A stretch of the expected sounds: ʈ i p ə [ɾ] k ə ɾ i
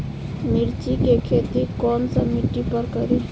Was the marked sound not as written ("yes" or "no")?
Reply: no